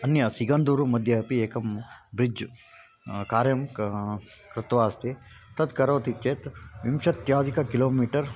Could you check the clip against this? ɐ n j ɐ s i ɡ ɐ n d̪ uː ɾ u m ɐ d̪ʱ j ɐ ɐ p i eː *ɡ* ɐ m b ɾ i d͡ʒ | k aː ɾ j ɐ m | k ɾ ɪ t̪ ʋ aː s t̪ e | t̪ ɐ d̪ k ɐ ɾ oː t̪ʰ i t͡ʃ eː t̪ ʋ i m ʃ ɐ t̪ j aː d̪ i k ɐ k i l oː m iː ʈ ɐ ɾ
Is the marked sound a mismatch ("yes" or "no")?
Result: yes